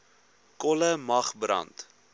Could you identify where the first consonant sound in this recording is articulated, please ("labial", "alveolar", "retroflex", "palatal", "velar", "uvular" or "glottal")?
velar